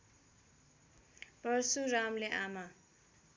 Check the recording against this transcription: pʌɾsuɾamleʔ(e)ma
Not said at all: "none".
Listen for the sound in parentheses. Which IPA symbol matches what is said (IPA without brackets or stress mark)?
a